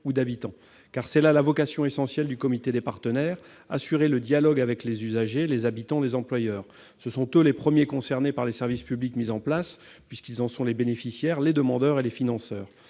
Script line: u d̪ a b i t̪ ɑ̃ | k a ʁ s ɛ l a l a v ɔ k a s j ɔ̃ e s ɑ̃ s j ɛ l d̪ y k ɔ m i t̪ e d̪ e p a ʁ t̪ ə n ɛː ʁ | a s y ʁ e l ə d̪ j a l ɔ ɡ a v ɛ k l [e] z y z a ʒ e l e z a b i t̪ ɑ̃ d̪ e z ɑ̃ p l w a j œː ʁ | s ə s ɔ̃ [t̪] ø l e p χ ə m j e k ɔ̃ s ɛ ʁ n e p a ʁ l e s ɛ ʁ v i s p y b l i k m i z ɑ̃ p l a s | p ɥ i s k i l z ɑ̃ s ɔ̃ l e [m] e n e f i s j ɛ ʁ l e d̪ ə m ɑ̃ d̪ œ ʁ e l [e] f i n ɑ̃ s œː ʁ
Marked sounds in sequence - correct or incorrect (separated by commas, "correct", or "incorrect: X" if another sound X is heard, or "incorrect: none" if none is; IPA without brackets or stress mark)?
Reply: correct, correct, incorrect: b, correct